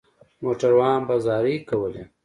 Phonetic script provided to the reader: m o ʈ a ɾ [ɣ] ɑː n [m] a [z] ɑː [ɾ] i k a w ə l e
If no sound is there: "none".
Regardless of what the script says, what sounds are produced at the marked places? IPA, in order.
w, b, z, ɾ

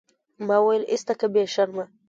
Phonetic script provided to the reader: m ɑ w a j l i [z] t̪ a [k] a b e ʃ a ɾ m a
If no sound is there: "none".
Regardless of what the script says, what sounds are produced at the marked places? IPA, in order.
s, k

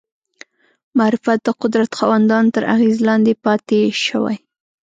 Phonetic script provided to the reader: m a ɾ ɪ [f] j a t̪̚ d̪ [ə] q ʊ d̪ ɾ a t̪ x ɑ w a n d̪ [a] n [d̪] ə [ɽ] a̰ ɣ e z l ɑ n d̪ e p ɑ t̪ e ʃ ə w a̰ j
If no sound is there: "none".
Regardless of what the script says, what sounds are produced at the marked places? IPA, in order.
f, ə, ɑ, t̪, ɾ

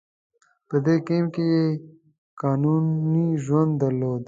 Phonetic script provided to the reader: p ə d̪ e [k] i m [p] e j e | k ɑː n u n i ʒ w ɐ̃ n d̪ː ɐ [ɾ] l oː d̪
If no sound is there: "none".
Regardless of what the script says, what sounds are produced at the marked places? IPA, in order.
k, k, ɾ

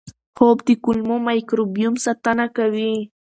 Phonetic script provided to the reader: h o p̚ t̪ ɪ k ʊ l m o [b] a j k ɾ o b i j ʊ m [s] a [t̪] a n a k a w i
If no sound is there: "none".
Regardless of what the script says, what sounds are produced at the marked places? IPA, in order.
m, s, t̪

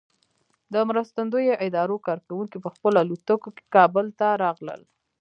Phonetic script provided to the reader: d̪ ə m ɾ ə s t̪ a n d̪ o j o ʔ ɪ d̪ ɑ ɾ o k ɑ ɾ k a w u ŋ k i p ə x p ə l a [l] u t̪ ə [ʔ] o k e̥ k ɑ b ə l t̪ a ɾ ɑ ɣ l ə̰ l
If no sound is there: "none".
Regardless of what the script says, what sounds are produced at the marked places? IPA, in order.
l, k

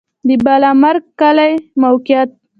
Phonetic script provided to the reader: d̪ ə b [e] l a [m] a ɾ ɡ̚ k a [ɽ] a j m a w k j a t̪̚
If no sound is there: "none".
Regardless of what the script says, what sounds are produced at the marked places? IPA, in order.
a, m, l

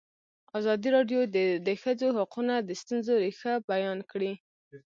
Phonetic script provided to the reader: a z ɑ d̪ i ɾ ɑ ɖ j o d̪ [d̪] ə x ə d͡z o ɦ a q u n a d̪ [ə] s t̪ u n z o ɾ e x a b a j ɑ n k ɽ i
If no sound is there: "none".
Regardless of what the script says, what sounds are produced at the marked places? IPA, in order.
d̪, ə

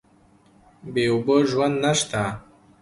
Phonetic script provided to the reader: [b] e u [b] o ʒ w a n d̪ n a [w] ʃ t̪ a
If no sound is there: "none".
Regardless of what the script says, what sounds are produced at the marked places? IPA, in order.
b, b, none

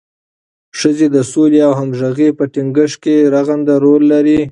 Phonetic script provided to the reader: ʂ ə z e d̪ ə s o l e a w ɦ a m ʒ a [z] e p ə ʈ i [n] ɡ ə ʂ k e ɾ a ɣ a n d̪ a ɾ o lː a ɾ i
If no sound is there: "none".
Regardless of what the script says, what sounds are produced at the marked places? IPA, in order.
ɣ, ŋ

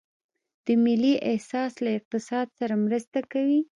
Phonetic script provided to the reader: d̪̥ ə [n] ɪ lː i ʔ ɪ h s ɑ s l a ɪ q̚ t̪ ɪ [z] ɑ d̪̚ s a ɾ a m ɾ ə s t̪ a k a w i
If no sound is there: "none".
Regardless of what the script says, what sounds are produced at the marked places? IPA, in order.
m, s

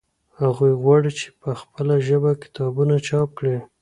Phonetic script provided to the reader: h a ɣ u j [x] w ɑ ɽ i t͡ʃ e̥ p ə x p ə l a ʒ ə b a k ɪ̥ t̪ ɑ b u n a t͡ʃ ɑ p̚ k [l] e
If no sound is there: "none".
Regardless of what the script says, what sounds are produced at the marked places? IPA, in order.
ɣ, ɽ

